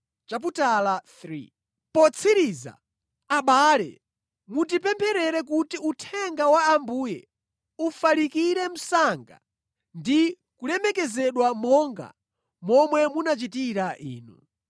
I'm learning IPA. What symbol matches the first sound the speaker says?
t͡ʃ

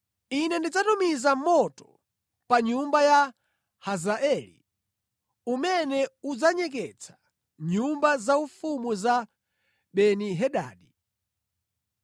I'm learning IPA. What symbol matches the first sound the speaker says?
i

